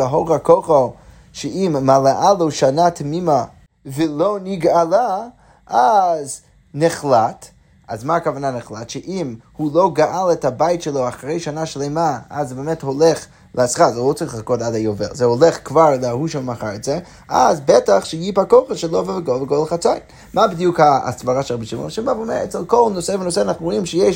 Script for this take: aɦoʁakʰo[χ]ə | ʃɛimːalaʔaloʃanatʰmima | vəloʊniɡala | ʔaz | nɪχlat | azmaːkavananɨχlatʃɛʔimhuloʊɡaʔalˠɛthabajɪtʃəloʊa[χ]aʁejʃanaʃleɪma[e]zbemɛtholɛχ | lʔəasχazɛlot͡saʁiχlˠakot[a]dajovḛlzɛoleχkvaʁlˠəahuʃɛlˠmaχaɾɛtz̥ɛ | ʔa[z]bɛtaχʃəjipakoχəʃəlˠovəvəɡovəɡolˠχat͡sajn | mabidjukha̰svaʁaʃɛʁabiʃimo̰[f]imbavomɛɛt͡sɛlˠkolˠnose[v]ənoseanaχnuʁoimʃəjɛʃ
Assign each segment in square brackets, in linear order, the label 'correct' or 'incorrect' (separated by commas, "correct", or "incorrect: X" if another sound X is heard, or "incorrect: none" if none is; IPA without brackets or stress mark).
correct, correct, incorrect: a, correct, correct, incorrect: ʃ, correct